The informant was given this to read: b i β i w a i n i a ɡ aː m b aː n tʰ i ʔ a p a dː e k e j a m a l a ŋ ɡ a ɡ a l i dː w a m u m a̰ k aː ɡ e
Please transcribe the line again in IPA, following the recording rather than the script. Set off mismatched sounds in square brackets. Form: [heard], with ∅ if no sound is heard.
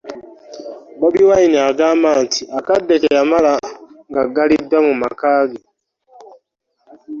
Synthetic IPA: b [a] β i w a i n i a ɡ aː m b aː n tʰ i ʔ a [k] a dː e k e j a m a l a ŋ ɡ a ɡ a l i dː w a m u m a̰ k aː ɡ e